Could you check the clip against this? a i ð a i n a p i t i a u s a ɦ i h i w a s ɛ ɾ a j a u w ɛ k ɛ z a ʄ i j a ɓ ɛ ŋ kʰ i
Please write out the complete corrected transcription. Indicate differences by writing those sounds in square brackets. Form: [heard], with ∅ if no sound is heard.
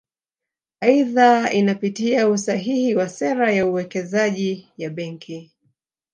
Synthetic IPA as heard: a i ð a i n a p i t i a u s a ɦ i h i w a s ɛ ɾ a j a u w ɛ k ɛ z a ʄ i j a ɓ ɛ ŋ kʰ i